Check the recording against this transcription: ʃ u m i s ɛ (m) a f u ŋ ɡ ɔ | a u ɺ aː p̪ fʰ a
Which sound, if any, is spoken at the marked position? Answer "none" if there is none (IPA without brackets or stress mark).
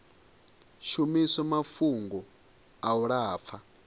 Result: m